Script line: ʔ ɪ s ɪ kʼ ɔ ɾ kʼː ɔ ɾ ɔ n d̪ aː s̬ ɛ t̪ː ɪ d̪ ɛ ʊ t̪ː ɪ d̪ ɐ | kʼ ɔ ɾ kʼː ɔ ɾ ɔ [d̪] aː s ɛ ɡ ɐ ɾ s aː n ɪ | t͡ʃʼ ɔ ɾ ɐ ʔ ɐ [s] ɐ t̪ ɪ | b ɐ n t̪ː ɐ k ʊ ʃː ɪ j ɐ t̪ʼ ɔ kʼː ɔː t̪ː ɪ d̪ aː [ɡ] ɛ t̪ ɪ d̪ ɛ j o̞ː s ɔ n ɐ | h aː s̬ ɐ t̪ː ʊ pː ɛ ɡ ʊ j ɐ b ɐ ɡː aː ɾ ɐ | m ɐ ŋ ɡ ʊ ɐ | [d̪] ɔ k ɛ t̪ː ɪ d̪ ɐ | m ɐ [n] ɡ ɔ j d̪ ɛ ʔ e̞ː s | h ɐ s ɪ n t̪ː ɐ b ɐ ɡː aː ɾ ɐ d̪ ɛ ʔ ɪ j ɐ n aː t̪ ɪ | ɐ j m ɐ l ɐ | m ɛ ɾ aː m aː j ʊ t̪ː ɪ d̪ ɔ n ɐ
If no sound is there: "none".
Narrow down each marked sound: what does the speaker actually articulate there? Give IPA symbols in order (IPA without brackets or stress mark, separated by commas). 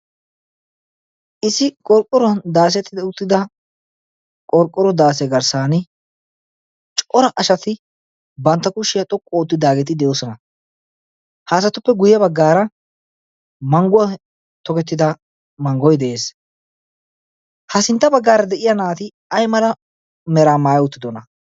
d̪, ʃ, ɡ, t̪, ŋ